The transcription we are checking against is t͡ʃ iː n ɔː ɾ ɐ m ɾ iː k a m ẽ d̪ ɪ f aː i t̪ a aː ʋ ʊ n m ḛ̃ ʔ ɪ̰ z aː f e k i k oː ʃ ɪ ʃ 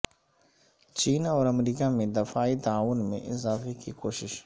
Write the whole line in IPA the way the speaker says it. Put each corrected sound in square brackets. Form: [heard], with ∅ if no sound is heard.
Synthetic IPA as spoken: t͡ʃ iː n ɔː ɾ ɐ m ɾ iː k a m ẽ d̪ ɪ f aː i t̪ a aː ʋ ʊ n m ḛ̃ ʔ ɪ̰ z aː f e k i k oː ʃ ɪ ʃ

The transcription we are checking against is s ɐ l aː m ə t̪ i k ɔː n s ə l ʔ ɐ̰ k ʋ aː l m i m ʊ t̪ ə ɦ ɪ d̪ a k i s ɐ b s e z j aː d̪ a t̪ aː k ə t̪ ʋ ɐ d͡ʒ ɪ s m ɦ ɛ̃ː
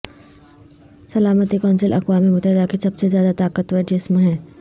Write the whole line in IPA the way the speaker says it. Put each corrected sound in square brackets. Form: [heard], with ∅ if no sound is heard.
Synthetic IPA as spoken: s ɐ l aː m ə t̪ i k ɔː n s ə l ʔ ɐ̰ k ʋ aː [∅] m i m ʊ t̪ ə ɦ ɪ d̪ a k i s ɐ b s e z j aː d̪ a t̪ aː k ə t̪ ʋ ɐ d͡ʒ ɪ s m ɦ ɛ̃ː

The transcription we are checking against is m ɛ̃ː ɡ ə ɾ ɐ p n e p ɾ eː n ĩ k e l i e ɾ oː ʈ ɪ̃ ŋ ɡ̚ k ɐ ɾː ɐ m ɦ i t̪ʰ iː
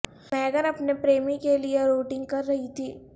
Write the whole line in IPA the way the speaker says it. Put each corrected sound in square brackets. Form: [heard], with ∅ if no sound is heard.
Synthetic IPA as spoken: m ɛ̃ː ɡ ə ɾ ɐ p n e p ɾ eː [m] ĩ k e l i e ɾ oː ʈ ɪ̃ ŋ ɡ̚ k ɐ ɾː ɐ [∅] ɦ i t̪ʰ iː

